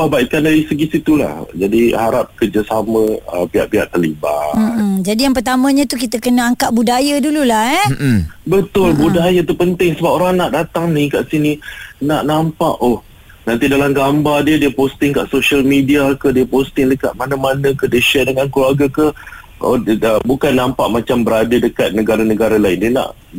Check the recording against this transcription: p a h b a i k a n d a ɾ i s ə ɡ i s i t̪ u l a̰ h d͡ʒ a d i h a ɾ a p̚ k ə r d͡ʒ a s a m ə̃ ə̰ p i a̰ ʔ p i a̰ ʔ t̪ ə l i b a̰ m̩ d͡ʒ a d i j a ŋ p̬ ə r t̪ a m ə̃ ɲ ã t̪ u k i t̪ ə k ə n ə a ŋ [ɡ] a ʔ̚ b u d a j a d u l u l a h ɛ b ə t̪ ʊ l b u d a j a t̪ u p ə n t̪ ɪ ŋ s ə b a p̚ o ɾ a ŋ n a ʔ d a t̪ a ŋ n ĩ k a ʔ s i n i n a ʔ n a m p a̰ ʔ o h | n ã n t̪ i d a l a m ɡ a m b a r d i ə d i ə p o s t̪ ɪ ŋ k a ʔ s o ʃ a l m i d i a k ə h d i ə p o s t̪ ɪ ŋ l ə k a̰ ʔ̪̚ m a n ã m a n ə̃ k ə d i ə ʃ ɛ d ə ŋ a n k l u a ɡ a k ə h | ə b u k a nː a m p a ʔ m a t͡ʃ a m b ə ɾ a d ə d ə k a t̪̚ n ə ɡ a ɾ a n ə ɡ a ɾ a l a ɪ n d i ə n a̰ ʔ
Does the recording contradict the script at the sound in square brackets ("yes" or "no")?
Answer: yes